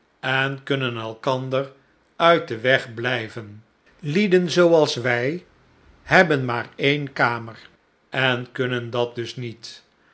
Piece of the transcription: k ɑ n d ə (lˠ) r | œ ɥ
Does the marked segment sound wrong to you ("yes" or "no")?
yes